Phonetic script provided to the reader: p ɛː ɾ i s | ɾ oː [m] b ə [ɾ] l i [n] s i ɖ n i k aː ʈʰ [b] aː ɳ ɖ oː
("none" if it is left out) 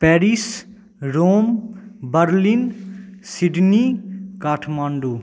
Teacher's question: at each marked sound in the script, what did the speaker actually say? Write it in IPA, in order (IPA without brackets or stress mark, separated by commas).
m, ɾ, n, m